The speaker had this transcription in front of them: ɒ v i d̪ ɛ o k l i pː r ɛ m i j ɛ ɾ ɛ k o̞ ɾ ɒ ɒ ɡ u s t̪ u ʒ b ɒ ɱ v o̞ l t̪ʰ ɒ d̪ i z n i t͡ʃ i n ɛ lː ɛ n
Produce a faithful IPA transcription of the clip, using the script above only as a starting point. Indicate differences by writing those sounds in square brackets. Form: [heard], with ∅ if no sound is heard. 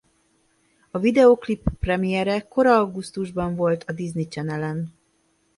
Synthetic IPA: ɒ v i d̪ ɛ o k l i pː r ɛ m i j ɛ ɾ ɛ k o̞ ɾ ɒ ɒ ɡ u s t̪ u ʒ b ɒ ɱ v o̞ l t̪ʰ ɒ d̪ i z n i t͡ʃ [ɛ] n ɛ [l] ɛ n